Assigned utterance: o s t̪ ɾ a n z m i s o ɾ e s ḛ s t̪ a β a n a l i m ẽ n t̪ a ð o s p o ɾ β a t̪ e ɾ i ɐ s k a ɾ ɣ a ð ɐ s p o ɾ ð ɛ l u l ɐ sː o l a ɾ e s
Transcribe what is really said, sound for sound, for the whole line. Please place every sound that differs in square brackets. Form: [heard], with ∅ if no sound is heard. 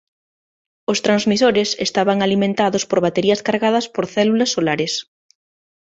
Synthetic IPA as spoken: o s t̪ ɾ a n z m i s o ɾ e s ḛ s t̪ a β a [ŋ] a l i m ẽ n t̪ a ð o s p o ɾ β a t̪ e ɾ i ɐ s k a ɾ ɣ a ð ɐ s p o ɾ [θ] ɛ l u l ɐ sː o l a ɾ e s